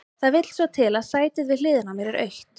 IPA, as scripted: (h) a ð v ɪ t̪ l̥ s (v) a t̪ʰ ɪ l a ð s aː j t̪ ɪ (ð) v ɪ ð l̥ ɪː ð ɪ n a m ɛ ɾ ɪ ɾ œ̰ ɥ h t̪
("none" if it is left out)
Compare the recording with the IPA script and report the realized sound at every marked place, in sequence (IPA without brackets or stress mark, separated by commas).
θ, v, ð